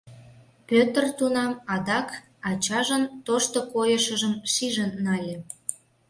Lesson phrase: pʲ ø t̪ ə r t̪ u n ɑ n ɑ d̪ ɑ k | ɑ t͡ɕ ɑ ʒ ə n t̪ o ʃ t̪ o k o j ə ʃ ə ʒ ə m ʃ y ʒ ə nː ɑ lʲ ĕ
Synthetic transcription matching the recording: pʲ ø t̪ ə r t̪ u n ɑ m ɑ d̪ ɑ k | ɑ t͡ɕ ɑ ʒ ə n t̪ o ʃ t̪ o k o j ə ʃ ə ʒ ə m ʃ i ʒ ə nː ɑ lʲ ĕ